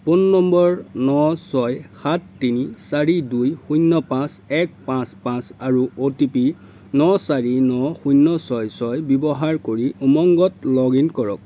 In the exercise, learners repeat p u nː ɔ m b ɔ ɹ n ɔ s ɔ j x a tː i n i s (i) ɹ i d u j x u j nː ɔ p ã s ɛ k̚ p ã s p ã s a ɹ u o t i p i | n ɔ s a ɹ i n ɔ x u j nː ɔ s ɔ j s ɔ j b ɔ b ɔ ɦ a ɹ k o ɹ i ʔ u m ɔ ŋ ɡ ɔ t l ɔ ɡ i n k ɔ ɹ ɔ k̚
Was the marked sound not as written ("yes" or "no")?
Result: yes